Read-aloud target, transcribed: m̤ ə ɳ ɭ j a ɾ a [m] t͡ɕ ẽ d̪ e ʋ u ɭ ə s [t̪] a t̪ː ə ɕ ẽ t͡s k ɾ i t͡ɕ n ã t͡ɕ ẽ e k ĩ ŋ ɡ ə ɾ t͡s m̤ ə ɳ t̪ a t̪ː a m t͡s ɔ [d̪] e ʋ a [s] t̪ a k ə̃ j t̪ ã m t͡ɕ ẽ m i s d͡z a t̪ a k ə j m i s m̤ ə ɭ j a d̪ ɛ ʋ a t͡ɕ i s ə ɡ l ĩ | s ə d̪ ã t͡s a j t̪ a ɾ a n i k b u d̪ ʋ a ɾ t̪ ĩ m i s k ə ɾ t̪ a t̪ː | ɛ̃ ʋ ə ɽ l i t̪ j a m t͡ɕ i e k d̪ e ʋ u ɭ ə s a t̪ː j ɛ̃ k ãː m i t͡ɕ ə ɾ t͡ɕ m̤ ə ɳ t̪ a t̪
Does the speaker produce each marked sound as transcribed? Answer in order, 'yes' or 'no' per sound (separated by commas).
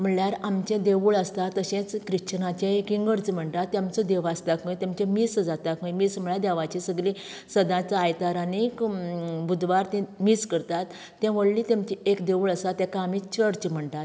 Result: yes, yes, yes, yes